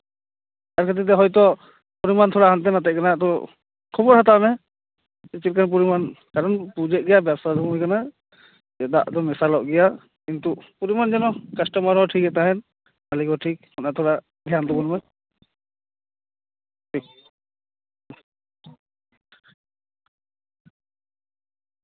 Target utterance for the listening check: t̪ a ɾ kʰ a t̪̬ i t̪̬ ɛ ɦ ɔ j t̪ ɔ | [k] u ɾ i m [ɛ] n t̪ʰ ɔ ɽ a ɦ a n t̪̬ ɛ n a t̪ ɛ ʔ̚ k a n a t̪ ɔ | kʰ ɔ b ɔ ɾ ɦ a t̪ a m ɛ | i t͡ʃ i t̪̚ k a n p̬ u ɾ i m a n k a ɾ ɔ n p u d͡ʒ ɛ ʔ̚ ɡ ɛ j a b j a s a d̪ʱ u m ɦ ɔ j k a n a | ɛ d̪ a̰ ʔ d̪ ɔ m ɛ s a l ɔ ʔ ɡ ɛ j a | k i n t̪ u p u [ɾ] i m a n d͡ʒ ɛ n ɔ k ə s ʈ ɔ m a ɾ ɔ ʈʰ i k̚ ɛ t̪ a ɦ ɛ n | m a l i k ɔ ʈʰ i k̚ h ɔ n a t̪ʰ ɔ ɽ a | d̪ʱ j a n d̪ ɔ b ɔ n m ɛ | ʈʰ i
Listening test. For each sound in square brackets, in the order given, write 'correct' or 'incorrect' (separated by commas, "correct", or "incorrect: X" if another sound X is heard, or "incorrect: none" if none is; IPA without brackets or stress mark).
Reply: incorrect: p, incorrect: a, correct